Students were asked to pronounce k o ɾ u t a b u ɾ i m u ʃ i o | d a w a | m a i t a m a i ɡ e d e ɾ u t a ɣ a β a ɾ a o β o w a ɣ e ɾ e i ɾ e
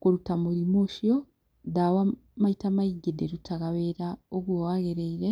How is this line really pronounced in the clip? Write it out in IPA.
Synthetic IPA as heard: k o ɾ u t a m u ɾ i m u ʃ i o | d a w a | m a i t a m a i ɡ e d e ɾ u t a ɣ a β e ɾ a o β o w a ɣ e ɾ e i ɾ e